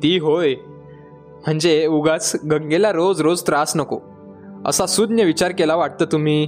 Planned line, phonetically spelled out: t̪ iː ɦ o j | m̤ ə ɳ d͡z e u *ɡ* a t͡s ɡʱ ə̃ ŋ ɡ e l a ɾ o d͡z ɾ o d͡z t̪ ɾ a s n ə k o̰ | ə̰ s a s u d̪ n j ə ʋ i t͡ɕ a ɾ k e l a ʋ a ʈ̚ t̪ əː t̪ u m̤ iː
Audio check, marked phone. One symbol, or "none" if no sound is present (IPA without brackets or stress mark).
ɡ